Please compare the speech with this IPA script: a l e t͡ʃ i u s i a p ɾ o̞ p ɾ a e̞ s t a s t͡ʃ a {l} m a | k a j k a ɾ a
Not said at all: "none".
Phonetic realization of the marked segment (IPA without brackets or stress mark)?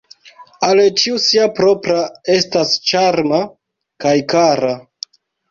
ɾ